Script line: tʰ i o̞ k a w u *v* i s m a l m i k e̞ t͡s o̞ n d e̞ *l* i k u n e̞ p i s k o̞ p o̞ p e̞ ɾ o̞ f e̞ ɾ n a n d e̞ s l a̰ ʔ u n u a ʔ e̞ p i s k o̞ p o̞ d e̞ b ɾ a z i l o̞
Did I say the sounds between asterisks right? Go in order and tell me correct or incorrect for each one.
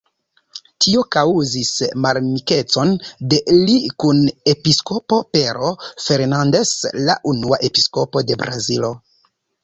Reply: incorrect: z, correct

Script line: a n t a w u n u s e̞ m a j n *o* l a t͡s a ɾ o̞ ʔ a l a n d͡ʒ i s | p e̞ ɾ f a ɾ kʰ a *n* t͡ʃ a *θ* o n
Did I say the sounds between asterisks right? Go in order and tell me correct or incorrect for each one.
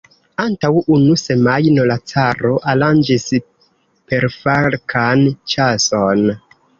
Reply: correct, correct, incorrect: s

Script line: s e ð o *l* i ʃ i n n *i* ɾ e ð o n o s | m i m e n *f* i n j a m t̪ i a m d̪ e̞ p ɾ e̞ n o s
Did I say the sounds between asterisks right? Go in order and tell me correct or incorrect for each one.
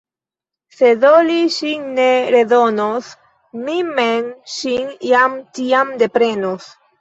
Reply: correct, incorrect: e, incorrect: ʃ

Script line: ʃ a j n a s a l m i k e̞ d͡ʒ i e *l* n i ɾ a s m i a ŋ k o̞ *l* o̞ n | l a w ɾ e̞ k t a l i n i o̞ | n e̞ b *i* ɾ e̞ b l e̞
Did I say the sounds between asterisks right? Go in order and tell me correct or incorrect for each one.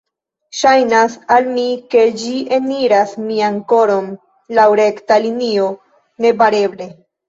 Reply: incorrect: none, incorrect: ɾ, incorrect: a

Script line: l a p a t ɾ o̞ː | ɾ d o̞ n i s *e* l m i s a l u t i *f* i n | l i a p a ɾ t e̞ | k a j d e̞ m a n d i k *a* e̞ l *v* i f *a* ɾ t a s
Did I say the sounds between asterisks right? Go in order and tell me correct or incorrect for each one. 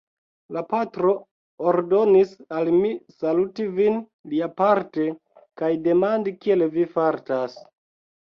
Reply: incorrect: a, incorrect: v, incorrect: i, correct, correct

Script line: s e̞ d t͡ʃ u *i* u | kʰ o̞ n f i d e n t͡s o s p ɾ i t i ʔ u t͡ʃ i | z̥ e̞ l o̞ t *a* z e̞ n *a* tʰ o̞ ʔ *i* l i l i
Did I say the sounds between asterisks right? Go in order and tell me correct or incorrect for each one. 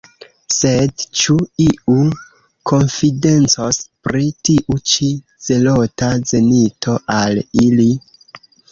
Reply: correct, correct, incorrect: i, incorrect: a

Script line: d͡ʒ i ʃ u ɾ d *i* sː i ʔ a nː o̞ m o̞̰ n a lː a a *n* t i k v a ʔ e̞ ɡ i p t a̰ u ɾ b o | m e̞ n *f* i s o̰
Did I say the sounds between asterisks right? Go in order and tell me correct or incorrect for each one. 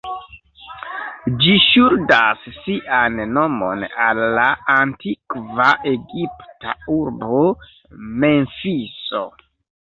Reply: incorrect: a, correct, correct

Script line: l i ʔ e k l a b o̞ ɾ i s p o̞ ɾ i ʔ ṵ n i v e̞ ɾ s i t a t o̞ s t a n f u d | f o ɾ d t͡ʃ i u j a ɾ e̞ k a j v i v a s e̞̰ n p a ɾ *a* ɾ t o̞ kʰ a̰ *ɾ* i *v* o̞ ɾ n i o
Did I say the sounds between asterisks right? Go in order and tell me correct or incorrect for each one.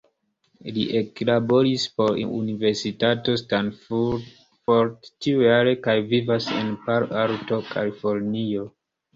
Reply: correct, incorrect: l, incorrect: f

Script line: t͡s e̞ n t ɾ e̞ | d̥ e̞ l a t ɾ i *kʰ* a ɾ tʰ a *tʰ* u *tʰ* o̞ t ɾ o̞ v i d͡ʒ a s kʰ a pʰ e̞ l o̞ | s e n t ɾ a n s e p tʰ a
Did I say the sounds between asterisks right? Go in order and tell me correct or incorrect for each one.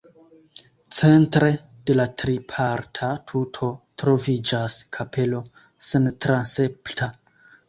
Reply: incorrect: pʰ, correct, correct

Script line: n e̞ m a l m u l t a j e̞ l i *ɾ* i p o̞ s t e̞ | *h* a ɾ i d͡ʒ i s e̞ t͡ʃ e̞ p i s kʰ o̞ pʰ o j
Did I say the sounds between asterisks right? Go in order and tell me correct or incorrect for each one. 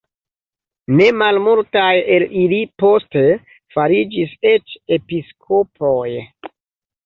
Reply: incorrect: l, incorrect: f

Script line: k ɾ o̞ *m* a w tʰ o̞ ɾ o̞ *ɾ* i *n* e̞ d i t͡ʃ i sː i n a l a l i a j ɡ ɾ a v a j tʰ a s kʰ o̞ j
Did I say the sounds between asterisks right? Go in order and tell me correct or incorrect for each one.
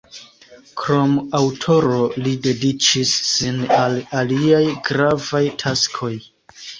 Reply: correct, incorrect: l, incorrect: d

